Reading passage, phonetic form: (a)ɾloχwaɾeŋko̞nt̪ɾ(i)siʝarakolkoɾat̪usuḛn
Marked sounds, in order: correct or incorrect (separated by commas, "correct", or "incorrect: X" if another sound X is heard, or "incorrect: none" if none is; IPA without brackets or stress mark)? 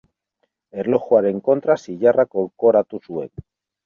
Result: incorrect: e, incorrect: a